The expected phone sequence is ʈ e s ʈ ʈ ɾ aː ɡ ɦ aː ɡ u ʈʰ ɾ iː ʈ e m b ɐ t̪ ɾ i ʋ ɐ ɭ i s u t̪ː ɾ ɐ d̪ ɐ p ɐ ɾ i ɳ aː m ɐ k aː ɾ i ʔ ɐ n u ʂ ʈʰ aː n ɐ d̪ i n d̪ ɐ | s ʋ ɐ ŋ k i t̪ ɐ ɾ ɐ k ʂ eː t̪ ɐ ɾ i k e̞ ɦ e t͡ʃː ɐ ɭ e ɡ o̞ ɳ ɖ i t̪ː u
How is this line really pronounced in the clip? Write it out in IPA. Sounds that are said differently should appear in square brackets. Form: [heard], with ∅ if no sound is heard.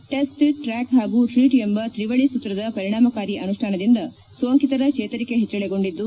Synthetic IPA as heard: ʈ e s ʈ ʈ ɾ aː [k] ɦ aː ɡ u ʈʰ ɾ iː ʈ e m b ɐ t̪ ɾ i ʋ ɐ ɭ i s u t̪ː ɾ ɐ d̪ ɐ p ɐ ɾ i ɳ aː m ɐ k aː ɾ i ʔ ɐ n u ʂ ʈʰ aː n ɐ d̪ i n d̪ ɐ | s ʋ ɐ ŋ k i t̪ ɐ ɾ ɐ k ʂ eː t̪ ɐ ɾ i k e̞ ɦ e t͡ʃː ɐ ɭ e ɡ o̞ ɳ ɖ i [d̪ː] u